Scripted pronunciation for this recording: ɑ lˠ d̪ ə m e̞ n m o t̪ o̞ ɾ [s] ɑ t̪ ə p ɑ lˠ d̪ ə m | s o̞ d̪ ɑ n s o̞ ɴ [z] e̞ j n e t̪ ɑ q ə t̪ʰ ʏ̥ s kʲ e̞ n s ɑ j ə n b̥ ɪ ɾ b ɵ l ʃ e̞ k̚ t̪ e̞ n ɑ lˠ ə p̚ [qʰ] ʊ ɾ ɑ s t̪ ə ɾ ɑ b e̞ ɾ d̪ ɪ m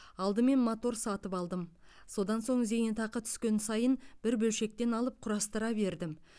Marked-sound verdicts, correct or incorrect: correct, correct, correct

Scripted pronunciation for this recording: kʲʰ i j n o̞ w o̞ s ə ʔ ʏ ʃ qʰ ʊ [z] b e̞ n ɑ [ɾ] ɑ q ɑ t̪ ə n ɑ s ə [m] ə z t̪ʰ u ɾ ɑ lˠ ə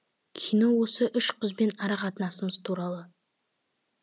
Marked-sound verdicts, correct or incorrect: correct, correct, correct

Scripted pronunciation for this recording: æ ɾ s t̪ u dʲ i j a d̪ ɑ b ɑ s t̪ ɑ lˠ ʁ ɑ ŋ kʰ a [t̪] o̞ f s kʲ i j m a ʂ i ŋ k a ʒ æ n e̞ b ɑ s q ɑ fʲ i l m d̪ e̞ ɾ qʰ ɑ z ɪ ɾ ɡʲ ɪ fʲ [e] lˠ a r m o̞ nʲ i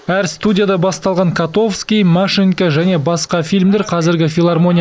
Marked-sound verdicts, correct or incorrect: correct, incorrect

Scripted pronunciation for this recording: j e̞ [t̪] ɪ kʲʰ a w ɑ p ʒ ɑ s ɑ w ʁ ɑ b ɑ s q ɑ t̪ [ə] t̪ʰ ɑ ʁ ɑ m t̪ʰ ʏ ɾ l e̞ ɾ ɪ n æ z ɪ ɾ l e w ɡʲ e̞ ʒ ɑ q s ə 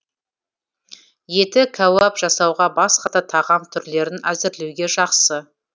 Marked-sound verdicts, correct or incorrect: correct, incorrect

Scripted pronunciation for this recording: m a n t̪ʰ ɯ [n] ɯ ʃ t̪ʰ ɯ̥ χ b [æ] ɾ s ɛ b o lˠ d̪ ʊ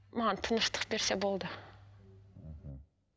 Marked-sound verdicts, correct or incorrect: correct, incorrect

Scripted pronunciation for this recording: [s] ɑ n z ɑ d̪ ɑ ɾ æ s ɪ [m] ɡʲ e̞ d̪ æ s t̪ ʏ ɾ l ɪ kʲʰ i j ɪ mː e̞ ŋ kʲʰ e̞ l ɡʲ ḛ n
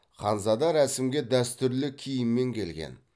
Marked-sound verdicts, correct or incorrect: incorrect, correct

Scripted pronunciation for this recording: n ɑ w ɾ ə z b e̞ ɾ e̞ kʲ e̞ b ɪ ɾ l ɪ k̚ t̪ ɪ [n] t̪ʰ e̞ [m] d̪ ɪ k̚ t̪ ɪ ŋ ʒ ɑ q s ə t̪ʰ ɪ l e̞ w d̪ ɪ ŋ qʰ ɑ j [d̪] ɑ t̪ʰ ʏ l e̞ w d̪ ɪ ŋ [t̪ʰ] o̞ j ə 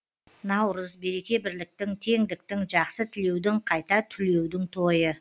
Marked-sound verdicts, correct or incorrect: incorrect, incorrect, incorrect, correct

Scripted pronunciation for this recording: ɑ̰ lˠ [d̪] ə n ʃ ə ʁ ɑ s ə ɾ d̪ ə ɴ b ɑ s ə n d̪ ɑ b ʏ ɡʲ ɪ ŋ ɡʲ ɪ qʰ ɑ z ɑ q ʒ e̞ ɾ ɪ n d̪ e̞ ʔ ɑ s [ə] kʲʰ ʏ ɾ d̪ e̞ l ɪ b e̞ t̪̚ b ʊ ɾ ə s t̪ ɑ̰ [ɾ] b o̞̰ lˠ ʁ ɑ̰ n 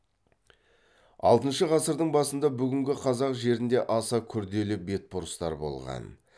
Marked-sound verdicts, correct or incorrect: incorrect, incorrect, correct

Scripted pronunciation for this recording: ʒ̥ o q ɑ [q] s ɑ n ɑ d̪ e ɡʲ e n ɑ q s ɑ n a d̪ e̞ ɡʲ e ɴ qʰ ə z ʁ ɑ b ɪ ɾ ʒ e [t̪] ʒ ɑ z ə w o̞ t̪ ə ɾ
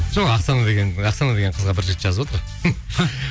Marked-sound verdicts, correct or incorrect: correct, correct

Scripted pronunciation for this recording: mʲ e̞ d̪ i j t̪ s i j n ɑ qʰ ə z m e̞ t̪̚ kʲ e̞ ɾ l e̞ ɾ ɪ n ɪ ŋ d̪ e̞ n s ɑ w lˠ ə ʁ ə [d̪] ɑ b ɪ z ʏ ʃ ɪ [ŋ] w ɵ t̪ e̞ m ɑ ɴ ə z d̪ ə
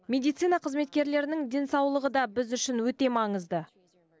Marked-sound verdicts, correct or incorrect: correct, incorrect

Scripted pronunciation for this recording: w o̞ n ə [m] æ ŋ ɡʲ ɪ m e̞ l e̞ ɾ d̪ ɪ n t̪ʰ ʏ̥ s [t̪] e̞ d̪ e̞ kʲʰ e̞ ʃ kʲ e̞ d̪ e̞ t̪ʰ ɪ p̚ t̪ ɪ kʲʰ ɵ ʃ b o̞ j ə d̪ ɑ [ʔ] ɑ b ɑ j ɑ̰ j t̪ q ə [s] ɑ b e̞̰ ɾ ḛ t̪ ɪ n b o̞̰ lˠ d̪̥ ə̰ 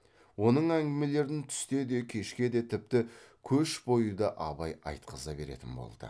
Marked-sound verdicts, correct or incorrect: incorrect, correct, correct, incorrect

